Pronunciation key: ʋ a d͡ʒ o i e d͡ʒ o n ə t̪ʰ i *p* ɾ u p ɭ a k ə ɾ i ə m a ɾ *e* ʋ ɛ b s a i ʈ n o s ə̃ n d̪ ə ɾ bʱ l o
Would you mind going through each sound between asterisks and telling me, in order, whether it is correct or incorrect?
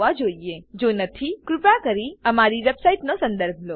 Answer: incorrect, incorrect

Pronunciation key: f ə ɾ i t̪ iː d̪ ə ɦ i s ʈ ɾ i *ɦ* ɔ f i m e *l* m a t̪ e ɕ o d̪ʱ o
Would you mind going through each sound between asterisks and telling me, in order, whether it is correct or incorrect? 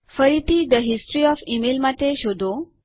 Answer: incorrect, correct

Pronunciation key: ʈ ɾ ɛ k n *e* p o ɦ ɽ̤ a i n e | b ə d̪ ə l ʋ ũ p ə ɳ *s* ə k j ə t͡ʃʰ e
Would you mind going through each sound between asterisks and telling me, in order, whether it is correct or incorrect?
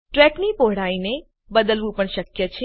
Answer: incorrect, incorrect

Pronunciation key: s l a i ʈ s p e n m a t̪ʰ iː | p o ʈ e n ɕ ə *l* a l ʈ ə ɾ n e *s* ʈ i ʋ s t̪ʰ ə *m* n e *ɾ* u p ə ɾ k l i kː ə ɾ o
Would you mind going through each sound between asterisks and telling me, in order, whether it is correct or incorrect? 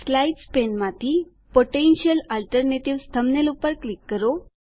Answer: correct, incorrect, correct, incorrect

